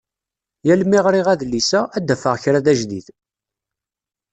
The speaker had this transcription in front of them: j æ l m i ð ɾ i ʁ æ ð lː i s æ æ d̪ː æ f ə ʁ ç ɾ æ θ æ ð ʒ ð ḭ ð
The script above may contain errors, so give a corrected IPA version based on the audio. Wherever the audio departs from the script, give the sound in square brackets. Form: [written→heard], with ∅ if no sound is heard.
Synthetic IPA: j æ l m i [ð→ʁ] ɾ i ʁ æ ð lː i s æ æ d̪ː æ f ə ʁ ç ɾ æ [θ→ð] æ [ð→∅] ʒ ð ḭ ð